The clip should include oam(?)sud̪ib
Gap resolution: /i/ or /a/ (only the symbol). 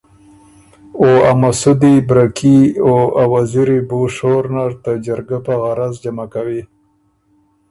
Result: a